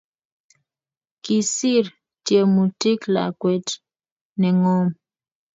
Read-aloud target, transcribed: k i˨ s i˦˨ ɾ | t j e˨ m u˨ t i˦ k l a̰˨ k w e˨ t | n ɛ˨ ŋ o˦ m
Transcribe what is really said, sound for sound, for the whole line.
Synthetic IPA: k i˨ s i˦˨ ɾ | t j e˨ m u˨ t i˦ k l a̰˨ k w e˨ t | n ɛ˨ ŋ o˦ m